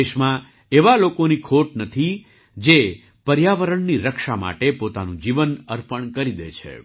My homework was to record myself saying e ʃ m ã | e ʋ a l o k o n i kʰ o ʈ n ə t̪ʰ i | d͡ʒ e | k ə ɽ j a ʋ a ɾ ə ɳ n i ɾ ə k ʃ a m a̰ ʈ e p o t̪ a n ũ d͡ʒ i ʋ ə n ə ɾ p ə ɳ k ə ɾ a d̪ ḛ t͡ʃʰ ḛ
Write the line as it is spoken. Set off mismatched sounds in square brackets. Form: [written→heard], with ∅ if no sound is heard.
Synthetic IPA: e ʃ m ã | e ʋ a l o k o n i kʰ o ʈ n ə t̪ʰ i | d͡ʒ e | [k→p] ə [ɽ→ɾ] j a ʋ [a→ə] ɾ ə ɳ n i ɾ ə k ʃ a m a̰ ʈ e p o t̪ a n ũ d͡ʒ i ʋ ə n ə ɾ p ə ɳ k ə ɾ [a→i] d̪ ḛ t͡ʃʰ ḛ

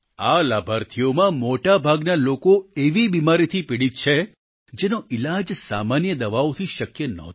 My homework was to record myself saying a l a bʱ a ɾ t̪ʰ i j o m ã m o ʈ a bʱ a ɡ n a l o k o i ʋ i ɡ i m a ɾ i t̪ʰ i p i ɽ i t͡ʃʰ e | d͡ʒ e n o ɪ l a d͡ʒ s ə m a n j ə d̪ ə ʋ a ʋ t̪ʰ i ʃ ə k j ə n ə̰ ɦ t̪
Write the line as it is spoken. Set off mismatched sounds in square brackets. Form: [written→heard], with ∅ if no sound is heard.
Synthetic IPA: a l a bʱ a ɾ t̪ʰ i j o m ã m o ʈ a bʱ a ɡ n a l o k o [i→e] ʋ i [ɡ→b] i m a ɾ i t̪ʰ i p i ɽ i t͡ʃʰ e | d͡ʒ e n o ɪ l a d͡ʒ s [ə→a] m a n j ə d̪ ə ʋ a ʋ t̪ʰ i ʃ ə k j ə n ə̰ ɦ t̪

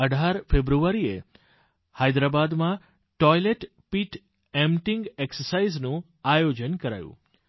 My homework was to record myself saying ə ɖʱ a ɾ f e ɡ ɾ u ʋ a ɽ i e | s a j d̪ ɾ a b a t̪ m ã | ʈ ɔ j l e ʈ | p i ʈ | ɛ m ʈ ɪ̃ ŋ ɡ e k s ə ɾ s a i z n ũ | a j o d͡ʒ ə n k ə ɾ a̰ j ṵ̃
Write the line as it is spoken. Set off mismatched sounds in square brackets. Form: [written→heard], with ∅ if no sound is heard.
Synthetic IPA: ə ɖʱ a ɾ f e [ɡ→b] ɾ u ʋ a [ɽ→ɾ] i e | [s→h] a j d̪ ɾ a b a [t̪→d̪] m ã | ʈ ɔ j l e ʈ | p i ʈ | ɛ m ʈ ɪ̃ ŋ ɡ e k s ə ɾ s a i z n ũ | a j o d͡ʒ ə n k ə ɾ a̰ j ṵ̃

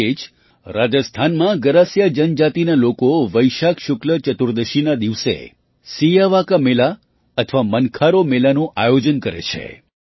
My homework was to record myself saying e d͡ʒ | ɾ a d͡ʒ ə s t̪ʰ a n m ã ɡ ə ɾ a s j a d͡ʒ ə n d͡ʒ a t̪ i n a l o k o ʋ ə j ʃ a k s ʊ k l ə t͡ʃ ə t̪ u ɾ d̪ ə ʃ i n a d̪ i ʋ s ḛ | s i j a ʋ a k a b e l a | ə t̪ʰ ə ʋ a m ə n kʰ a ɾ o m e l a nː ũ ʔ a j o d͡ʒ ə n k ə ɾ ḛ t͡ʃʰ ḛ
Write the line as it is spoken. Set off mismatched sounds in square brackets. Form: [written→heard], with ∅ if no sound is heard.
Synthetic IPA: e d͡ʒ | ɾ a d͡ʒ ə s t̪ʰ a n m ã ɡ ə ɾ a s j a d͡ʒ ə n d͡ʒ a t̪ i n a l o k o ʋ ə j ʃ a k [s→ʃ] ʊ k l ə t͡ʃ ə t̪ u ɾ d̪ ə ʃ i n a d̪ i ʋ s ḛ | s i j a ʋ a k a [b→m] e l a | ə t̪ʰ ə ʋ a m ə n kʰ a ɾ o m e l a [nː→n] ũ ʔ a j o d͡ʒ ə n k ə ɾ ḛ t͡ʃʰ ḛ

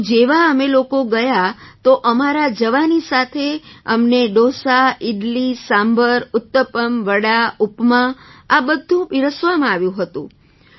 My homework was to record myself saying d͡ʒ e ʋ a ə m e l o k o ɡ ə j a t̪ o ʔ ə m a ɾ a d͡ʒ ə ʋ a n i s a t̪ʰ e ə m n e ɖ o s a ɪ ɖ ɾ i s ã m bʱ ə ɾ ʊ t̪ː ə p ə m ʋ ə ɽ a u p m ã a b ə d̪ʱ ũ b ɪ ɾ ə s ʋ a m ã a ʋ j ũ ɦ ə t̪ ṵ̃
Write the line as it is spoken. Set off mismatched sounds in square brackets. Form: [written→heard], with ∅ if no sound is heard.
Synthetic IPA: d͡ʒ e ʋ a ə m e l o k o ɡ ə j a t̪ o ʔ ə m a ɾ a d͡ʒ ə ʋ a n i s a t̪ʰ e ə m n e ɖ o s a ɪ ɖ [ɾ→l] i s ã m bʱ ə ɾ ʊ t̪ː ə p ə m ʋ ə ɽ a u p m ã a b ə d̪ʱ ũ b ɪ ɾ ə s ʋ a m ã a ʋ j ũ ɦ ə t̪ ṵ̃

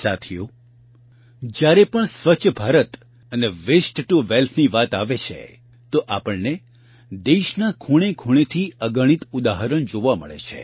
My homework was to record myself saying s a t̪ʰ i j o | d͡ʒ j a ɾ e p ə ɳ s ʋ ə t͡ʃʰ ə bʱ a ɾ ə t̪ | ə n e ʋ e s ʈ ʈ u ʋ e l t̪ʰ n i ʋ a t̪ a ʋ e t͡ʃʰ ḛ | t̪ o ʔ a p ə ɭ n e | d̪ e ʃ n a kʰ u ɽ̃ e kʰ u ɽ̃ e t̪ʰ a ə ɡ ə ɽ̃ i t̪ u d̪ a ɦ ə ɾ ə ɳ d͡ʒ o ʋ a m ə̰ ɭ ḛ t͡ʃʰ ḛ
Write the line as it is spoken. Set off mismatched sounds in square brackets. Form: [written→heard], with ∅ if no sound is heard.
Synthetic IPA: s a t̪ʰ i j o | d͡ʒ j a ɾ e p ə ɳ s ʋ ə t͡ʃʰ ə bʱ a ɾ ə t̪ | ə n e ʋ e s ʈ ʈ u ʋ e l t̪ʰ n i ʋ a t̪ a ʋ e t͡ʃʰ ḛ | t̪ o ʔ a p ə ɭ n e | d̪ e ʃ n a kʰ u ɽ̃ e kʰ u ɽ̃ e t̪ʰ [a→i] ə ɡ ə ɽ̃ i t̪ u d̪ a ɦ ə ɾ ə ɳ d͡ʒ o ʋ a m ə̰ ɭ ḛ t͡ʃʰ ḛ

